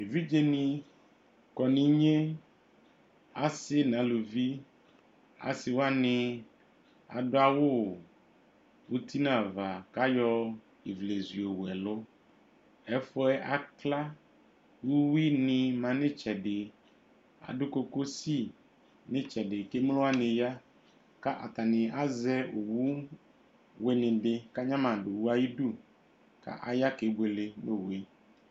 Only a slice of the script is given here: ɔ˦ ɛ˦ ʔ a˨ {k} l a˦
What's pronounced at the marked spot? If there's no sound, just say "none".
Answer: k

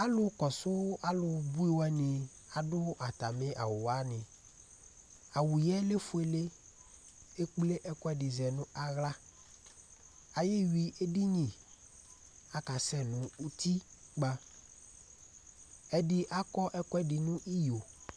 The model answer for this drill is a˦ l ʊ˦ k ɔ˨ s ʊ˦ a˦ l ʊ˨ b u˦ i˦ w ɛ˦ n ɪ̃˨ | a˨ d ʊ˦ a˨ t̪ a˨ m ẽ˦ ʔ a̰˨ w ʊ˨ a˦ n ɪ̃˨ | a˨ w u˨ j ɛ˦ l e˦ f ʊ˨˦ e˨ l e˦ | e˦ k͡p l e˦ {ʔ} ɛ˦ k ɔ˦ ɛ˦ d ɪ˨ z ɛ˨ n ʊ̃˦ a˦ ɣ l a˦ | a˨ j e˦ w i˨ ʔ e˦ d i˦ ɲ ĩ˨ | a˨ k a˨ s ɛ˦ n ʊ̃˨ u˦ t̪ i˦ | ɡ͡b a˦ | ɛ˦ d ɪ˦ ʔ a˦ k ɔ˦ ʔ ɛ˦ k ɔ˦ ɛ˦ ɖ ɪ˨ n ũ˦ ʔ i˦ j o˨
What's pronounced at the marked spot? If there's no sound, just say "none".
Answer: ʔ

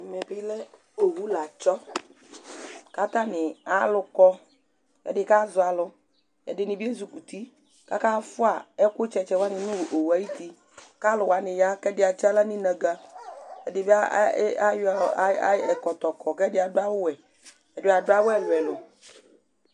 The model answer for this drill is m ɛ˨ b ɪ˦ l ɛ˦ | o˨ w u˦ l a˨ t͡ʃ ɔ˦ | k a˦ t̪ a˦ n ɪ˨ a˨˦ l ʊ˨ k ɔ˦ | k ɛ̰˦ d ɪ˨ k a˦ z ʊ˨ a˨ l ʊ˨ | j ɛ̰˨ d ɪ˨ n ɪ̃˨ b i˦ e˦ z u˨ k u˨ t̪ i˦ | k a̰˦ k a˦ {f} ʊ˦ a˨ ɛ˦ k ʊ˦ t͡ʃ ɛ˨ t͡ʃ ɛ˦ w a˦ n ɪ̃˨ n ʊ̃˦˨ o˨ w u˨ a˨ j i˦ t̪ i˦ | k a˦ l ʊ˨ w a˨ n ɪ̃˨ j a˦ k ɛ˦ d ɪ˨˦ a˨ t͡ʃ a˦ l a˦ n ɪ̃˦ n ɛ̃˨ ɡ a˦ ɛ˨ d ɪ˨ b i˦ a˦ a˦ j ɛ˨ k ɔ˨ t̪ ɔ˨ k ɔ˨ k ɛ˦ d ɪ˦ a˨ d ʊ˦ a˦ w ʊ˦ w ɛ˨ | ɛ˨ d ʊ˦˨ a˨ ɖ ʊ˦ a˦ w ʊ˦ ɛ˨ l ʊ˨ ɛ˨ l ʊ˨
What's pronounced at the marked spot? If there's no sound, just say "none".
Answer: f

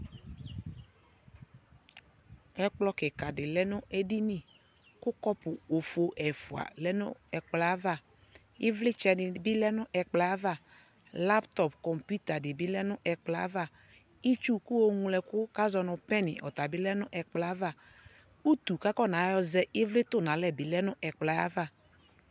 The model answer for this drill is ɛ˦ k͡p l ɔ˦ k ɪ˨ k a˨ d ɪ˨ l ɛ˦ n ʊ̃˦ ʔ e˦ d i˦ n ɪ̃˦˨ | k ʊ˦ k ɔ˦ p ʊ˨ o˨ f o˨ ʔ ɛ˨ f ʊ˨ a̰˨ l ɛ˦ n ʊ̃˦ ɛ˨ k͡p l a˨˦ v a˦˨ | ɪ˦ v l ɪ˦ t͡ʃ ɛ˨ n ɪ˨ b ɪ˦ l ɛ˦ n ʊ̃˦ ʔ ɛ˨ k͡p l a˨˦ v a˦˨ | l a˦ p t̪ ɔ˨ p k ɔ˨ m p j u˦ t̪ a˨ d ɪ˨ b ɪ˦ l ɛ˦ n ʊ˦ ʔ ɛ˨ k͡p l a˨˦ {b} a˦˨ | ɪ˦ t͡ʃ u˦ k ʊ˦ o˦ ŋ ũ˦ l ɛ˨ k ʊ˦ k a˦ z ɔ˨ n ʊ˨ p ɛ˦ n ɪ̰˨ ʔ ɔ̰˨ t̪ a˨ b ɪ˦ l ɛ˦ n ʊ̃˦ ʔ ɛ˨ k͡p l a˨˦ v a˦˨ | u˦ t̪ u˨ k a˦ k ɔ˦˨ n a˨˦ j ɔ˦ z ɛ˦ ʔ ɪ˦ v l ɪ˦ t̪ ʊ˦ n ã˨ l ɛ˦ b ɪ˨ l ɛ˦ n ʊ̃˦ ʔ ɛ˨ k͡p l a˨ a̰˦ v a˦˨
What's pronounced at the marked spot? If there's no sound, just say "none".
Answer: v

